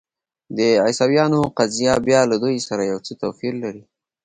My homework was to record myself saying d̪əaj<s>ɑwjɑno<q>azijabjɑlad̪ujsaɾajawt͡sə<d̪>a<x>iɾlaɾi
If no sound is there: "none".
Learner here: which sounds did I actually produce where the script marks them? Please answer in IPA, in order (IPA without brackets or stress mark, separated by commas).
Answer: s, q, t̪, f